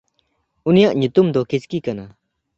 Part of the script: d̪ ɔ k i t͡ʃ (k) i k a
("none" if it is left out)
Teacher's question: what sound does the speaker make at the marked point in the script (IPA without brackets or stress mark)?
k